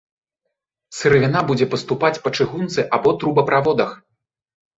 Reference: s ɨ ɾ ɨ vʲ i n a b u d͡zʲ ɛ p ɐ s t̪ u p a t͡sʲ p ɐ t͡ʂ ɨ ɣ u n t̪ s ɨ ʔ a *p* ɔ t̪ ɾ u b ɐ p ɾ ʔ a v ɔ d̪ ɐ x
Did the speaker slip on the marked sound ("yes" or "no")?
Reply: yes